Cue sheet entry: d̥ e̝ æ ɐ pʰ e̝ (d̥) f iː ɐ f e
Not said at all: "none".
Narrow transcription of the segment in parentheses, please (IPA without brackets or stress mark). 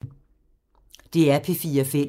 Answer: none